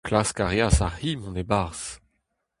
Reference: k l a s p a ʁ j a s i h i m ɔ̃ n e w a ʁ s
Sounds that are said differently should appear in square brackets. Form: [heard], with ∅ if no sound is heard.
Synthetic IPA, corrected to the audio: k l a s [k] a ʁ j a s [a] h i m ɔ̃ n e [b] a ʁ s